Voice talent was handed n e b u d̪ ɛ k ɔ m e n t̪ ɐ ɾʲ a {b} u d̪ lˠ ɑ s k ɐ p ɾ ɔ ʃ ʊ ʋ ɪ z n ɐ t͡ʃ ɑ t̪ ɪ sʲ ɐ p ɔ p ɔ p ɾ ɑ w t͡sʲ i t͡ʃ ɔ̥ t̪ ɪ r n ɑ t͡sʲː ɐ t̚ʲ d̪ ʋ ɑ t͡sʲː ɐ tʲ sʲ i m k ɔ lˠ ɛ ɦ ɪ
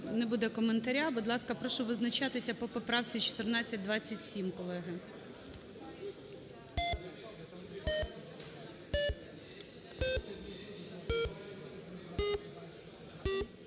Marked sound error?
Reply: no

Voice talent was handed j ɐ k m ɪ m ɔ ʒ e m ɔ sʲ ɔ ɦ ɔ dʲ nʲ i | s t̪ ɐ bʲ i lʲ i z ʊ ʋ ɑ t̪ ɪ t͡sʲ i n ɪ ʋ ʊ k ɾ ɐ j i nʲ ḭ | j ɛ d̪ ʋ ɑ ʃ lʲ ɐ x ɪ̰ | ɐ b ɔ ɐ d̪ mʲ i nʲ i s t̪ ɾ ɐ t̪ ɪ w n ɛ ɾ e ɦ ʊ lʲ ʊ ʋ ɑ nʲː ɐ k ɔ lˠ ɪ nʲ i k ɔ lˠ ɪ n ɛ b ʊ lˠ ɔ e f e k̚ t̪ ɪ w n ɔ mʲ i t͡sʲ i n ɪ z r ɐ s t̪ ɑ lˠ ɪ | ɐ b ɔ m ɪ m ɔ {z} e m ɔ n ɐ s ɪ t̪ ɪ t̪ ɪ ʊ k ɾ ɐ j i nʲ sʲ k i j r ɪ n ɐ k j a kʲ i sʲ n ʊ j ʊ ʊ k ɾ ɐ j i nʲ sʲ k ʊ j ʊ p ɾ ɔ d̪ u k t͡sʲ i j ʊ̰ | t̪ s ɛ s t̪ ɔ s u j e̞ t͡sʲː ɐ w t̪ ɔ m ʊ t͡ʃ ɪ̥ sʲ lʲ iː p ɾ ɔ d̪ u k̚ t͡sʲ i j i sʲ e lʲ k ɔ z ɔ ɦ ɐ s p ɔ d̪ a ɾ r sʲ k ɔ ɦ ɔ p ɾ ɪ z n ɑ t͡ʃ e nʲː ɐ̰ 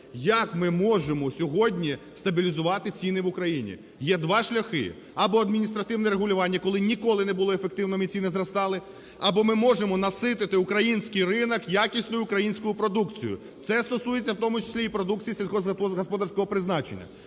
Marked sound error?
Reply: yes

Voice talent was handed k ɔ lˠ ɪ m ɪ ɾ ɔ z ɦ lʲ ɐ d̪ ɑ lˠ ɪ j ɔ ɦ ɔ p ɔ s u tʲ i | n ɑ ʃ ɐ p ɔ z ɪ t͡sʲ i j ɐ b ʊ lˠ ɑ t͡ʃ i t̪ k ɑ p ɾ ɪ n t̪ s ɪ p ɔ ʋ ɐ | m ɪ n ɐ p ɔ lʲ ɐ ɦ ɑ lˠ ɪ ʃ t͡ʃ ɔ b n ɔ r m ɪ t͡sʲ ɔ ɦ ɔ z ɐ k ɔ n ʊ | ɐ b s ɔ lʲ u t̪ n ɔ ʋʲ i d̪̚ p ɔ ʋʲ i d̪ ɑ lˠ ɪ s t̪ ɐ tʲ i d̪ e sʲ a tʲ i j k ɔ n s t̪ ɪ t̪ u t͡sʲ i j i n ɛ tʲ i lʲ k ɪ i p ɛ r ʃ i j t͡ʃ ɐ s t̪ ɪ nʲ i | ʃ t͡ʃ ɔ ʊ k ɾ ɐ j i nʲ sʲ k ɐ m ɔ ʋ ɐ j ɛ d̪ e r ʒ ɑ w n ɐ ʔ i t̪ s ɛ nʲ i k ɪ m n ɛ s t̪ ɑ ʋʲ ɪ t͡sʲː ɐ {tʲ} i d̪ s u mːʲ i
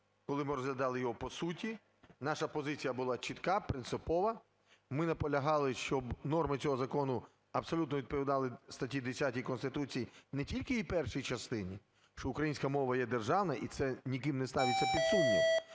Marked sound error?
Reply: yes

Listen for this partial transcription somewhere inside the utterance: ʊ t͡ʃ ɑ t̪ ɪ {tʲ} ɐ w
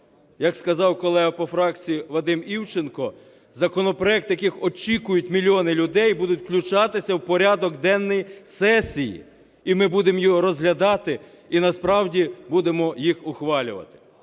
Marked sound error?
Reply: yes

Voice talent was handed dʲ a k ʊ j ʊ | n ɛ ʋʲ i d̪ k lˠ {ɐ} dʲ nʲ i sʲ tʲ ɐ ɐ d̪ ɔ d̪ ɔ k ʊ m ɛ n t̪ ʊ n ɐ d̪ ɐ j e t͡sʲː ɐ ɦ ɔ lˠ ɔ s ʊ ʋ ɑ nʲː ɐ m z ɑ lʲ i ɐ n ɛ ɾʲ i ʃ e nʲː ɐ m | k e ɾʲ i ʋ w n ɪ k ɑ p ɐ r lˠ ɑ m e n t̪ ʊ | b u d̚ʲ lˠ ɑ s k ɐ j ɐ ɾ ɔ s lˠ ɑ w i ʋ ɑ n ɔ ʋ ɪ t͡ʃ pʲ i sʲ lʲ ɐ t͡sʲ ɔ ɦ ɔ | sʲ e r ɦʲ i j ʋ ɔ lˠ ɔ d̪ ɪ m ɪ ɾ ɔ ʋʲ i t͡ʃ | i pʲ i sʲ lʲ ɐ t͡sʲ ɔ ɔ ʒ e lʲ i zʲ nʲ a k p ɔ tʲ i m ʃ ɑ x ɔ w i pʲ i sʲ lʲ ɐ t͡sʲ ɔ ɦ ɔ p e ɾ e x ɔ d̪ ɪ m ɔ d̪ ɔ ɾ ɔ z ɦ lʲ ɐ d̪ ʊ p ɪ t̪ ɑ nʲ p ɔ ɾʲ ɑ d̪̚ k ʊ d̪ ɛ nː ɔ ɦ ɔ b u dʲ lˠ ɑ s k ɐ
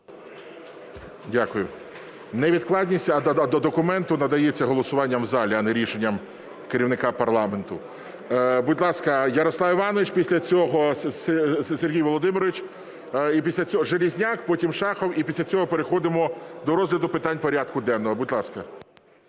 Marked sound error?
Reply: yes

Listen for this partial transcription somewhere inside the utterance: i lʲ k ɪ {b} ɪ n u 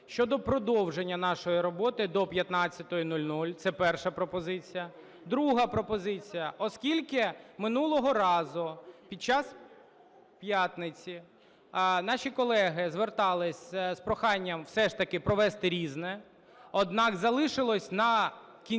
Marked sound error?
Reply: yes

